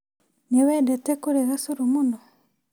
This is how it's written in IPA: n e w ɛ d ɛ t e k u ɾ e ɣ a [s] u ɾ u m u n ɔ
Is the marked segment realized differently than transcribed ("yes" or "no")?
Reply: no